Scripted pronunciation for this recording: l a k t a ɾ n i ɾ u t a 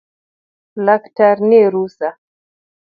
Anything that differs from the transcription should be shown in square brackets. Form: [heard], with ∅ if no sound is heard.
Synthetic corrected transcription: l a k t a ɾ n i ɾ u [s] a